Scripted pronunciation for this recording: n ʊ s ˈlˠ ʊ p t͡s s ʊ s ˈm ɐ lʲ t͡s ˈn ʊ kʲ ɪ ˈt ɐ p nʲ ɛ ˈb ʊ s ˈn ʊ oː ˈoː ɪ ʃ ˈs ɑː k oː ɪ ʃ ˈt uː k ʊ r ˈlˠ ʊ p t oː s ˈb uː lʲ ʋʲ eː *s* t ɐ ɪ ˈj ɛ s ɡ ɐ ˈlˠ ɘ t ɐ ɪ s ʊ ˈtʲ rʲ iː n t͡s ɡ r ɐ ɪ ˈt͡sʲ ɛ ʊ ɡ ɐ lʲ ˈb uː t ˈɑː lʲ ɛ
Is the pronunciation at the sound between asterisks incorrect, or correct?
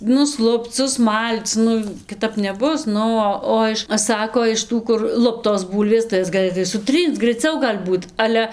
correct